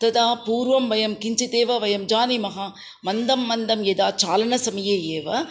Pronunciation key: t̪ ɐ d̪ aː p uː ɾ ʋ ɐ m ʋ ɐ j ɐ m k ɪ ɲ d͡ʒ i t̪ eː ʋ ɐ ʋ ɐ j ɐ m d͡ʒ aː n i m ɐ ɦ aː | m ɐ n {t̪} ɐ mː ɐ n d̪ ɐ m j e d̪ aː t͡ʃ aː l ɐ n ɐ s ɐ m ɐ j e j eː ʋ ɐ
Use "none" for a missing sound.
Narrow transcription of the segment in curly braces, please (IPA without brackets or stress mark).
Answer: d̪